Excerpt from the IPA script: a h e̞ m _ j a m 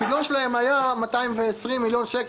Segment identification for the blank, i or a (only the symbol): a